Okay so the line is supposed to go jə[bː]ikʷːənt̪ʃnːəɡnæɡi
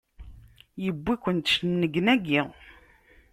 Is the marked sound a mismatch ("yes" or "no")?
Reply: no